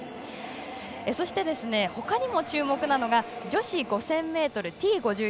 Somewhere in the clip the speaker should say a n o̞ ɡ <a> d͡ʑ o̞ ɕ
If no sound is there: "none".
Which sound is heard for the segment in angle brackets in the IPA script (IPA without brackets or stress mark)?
a